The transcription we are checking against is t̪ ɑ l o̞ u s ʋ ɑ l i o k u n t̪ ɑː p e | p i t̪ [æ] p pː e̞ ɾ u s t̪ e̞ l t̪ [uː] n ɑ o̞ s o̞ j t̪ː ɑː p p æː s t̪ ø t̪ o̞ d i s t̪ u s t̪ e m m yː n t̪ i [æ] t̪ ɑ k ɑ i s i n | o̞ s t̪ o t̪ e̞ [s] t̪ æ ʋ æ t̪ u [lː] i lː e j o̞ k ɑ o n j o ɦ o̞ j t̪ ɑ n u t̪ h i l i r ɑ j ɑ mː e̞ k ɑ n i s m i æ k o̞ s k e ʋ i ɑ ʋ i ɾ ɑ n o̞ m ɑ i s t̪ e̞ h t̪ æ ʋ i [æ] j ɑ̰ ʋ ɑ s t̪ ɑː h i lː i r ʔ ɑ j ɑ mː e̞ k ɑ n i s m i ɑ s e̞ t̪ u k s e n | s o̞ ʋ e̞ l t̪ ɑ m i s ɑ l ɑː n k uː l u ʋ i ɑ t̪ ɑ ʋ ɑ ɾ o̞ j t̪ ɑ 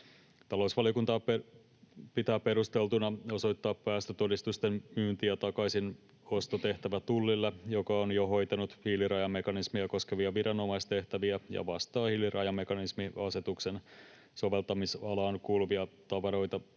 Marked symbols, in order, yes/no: no, no, yes, no, yes, yes

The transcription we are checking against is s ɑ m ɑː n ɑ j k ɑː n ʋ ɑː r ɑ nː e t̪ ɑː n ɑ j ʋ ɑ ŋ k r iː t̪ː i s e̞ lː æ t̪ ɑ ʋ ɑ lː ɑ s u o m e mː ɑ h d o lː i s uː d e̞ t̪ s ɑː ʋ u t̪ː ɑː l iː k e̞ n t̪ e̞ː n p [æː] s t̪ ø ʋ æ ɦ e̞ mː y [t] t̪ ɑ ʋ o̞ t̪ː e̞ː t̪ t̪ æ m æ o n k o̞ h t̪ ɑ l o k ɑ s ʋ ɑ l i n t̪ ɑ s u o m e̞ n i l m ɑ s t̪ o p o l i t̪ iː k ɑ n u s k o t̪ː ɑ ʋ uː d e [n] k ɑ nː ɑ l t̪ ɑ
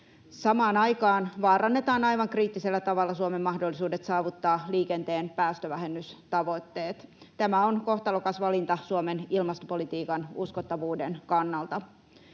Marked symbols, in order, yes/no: yes, no, yes

